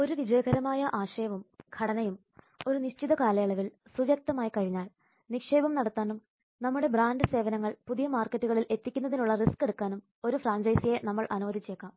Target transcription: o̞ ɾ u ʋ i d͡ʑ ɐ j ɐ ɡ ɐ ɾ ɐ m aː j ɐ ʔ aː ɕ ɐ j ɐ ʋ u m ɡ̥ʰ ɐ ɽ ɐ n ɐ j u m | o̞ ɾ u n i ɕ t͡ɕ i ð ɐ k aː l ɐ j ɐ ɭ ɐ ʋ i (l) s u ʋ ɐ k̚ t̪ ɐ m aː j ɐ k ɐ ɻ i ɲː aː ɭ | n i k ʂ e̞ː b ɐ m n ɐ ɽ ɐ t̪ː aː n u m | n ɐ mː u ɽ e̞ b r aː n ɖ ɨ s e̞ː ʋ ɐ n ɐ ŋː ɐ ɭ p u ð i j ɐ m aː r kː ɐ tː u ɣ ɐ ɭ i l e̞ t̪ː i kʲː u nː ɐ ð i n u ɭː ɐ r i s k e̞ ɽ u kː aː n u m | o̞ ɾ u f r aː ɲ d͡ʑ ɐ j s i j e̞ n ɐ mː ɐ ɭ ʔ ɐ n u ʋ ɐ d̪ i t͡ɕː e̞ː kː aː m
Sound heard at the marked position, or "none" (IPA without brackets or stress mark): l